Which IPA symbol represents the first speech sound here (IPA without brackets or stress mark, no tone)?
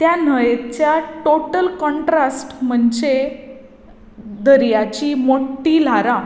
t̪